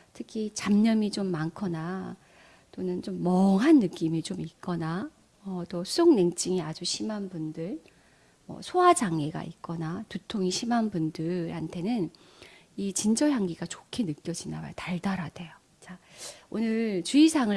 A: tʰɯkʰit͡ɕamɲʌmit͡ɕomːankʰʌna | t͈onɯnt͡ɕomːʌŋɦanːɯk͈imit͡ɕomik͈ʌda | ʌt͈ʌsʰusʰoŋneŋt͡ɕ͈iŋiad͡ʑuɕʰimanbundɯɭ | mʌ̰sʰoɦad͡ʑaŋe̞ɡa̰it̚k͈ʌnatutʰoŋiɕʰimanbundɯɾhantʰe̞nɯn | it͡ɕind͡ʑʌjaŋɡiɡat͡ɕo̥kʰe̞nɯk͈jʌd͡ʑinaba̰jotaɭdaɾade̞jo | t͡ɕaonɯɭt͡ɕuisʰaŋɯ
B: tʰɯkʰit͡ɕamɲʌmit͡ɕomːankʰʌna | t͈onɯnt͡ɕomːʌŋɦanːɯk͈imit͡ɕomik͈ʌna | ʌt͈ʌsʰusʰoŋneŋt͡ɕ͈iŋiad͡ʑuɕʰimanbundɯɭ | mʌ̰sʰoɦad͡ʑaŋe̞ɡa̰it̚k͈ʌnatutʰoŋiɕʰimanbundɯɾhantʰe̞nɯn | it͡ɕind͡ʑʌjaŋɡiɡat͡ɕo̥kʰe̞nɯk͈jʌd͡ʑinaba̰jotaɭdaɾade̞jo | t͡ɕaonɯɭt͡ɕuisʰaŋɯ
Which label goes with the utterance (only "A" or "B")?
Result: B